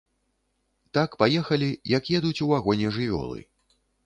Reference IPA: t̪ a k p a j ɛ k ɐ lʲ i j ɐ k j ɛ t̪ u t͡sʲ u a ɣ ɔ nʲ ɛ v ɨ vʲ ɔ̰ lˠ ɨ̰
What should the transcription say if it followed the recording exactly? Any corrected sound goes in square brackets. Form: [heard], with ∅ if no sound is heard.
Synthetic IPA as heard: t̪ a k p a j ɛ [x] ɐ lʲ i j ɐ k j ɛ [d̪] u t͡sʲ u a ɣ ɔ nʲ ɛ [ʐ] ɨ vʲ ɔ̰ lˠ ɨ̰